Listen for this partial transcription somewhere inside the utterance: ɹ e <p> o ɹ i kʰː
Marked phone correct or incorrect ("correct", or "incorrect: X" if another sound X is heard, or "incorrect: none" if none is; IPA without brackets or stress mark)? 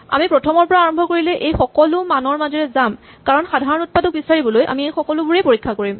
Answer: correct